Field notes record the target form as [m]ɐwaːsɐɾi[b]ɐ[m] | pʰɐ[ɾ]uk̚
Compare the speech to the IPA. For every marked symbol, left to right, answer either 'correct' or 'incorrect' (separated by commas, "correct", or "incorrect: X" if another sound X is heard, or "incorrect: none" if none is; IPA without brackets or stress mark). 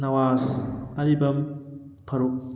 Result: incorrect: n, correct, correct, correct